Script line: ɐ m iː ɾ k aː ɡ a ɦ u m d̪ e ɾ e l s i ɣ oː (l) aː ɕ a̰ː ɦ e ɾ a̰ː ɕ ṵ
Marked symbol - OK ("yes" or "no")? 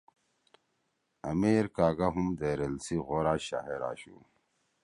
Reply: no